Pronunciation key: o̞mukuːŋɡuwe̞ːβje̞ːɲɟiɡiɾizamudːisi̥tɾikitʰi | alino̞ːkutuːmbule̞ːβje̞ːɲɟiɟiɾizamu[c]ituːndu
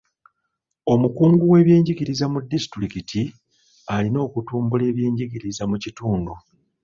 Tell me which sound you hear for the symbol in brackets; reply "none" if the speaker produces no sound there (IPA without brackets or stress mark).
c